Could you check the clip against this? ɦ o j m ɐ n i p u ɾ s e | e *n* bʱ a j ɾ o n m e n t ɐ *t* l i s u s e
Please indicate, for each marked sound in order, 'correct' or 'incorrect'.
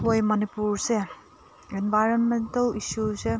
correct, incorrect: none

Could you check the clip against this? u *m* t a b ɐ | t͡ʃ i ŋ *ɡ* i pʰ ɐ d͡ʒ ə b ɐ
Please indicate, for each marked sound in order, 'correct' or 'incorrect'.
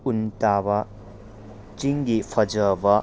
incorrect: n, correct

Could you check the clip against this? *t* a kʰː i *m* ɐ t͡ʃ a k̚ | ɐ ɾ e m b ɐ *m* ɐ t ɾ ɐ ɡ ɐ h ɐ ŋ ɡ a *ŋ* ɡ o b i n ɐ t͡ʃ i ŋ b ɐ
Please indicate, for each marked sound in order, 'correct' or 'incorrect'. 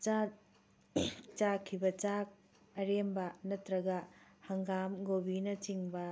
incorrect: t͡ʃ, incorrect: b, incorrect: n, incorrect: m

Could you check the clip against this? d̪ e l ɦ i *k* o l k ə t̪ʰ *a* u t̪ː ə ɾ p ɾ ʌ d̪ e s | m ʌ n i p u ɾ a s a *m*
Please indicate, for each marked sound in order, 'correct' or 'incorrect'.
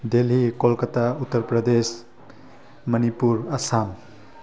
correct, correct, correct

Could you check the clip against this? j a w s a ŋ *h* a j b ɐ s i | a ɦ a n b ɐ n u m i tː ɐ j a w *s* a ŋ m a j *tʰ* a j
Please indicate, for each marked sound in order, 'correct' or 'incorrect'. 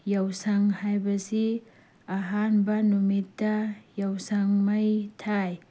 correct, correct, correct

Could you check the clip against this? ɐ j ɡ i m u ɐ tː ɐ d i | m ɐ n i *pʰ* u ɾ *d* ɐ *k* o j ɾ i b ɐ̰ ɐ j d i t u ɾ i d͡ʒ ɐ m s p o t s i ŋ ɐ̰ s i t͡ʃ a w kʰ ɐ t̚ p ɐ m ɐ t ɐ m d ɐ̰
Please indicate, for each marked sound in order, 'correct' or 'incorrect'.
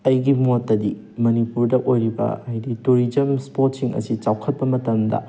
incorrect: p, correct, incorrect: ʔ

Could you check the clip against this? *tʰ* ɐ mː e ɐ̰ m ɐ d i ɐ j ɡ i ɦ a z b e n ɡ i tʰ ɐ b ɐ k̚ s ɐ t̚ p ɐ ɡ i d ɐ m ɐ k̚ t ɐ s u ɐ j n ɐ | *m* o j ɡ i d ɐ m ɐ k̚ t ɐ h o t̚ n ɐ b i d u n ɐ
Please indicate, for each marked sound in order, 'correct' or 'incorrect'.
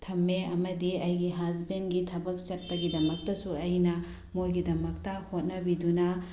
correct, correct

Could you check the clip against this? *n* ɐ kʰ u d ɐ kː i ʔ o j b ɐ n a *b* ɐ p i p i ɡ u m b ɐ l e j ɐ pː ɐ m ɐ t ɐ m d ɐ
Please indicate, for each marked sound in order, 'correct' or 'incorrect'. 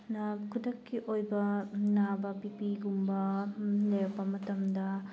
correct, correct

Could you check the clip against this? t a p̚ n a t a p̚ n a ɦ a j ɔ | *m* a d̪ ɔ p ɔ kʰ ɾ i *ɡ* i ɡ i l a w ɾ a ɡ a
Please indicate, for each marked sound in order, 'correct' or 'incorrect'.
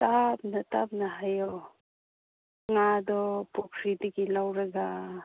incorrect: ŋ, incorrect: d

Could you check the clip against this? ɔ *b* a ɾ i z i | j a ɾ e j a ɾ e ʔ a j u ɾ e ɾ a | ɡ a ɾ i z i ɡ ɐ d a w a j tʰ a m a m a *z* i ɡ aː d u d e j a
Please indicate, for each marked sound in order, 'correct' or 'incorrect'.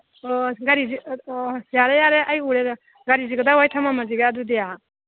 incorrect: ɡ, correct

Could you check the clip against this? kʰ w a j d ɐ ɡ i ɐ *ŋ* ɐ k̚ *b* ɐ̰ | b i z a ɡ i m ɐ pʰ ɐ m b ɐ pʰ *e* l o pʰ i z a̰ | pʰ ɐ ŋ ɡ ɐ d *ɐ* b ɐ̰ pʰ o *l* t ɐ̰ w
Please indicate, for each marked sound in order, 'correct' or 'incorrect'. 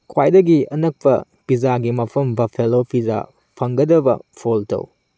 incorrect: n, incorrect: p, correct, correct, correct

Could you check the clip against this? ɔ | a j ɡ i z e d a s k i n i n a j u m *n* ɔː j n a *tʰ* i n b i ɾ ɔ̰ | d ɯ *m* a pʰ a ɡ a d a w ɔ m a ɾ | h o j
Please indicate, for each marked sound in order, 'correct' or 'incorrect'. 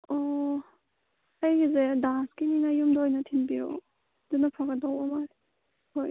incorrect: d, correct, incorrect: n

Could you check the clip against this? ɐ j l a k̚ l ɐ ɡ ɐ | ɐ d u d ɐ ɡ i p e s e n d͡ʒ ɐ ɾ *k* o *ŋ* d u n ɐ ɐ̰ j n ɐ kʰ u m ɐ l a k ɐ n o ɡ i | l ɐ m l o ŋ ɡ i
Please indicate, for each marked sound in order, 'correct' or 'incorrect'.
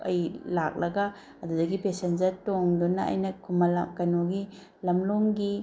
incorrect: t, correct

